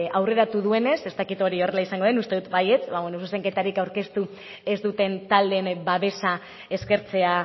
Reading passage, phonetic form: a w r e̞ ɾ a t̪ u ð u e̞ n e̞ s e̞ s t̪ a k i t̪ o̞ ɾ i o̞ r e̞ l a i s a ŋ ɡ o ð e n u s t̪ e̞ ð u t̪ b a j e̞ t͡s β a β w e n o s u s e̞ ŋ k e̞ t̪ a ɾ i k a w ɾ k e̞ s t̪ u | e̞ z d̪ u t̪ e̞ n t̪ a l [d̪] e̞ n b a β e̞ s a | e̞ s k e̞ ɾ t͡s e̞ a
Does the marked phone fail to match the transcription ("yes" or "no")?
no